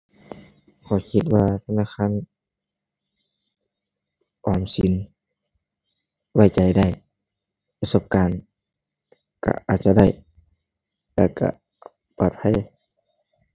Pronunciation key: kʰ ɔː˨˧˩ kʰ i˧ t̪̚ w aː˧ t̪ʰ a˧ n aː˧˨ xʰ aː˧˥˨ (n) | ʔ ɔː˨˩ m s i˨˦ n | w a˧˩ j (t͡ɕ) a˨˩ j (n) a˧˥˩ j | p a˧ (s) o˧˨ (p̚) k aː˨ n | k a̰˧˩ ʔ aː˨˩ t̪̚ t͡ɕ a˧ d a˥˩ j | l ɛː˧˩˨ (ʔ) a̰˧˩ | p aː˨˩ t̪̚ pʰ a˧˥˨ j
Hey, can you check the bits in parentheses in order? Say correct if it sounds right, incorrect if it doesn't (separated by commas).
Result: correct, correct, incorrect, correct, correct, incorrect